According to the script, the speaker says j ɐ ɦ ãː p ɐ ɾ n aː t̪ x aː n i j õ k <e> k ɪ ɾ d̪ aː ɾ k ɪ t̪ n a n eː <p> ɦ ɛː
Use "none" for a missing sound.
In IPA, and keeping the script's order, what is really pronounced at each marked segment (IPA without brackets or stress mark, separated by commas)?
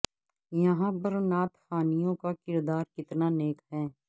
a, k